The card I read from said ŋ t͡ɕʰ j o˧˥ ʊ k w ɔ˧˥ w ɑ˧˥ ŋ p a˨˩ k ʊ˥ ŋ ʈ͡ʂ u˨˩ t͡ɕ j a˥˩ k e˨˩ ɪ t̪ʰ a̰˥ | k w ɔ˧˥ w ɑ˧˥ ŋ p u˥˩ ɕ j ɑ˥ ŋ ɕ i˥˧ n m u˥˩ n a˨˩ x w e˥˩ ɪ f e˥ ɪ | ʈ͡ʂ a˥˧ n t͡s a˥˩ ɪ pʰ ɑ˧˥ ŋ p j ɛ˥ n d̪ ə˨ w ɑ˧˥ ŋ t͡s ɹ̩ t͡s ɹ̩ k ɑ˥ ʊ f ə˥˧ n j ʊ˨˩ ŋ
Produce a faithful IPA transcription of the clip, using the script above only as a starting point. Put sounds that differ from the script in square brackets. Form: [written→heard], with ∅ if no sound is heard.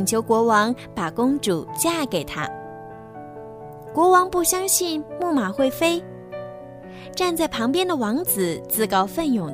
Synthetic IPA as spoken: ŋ t͡ɕʰ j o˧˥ ʊ k w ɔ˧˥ w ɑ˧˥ ŋ p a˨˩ k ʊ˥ ŋ ʈ͡ʂ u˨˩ t͡ɕ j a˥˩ k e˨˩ ɪ t̪ʰ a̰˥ | k w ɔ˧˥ w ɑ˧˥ ŋ p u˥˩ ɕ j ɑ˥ ŋ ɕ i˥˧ n m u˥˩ [n→m] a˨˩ x w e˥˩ ɪ f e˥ ɪ | ʈ͡ʂ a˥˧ n t͡s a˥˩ ɪ pʰ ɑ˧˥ ŋ p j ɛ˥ n d̪ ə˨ w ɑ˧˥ ŋ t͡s ɹ̩ t͡s ɹ̩ k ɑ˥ ʊ f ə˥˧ n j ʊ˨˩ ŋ